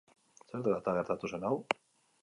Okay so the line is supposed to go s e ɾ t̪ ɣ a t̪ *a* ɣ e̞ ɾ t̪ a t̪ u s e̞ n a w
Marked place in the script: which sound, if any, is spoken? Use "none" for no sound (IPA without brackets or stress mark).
a